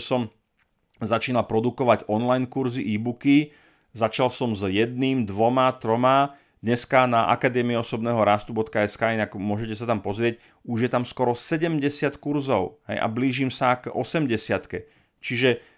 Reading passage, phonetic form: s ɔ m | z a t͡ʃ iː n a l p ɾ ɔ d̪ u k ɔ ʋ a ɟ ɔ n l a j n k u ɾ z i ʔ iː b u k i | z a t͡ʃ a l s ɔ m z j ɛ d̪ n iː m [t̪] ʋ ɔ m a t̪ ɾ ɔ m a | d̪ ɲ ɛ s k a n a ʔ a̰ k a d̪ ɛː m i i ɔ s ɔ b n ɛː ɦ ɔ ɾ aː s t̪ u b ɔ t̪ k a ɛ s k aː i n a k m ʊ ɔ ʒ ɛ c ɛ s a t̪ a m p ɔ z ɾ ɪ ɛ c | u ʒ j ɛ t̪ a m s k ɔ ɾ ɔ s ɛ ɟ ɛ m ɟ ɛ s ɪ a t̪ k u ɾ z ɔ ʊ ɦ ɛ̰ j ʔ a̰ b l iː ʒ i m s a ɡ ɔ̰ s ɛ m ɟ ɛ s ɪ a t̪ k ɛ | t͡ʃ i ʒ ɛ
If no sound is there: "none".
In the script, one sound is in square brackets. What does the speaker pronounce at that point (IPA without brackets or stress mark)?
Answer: d̪